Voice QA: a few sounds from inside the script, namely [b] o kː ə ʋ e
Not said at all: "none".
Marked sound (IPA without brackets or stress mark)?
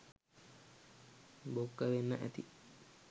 b